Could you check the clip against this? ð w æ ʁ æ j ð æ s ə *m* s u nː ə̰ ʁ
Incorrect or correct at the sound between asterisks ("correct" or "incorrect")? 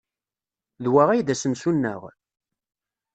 correct